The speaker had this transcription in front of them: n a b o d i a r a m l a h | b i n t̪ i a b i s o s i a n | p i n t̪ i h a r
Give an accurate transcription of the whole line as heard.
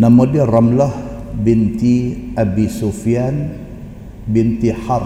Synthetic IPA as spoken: n a m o d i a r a m l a h | b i n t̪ i a b i s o f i a n | b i n t̪ i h a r